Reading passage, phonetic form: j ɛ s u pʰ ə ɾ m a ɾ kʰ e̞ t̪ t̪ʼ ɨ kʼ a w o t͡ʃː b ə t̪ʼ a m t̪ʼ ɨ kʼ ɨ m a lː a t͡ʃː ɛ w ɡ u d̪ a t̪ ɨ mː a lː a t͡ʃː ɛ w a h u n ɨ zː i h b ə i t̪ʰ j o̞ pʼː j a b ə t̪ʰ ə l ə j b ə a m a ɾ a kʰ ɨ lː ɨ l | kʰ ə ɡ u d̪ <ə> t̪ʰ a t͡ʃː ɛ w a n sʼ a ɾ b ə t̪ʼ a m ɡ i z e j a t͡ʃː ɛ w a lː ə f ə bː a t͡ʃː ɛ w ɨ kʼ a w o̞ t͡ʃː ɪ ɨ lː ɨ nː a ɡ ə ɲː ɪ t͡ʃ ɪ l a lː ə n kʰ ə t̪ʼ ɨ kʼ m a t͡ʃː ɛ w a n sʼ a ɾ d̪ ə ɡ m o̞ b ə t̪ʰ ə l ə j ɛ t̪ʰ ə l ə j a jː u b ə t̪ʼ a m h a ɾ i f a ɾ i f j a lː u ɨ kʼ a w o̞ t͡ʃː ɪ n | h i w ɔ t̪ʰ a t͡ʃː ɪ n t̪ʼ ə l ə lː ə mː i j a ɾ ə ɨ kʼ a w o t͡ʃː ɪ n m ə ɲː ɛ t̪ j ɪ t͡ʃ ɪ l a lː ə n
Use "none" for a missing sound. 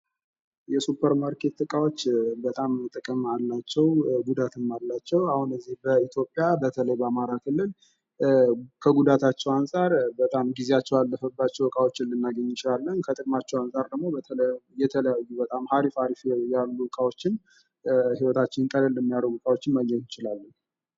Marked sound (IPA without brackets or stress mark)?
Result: a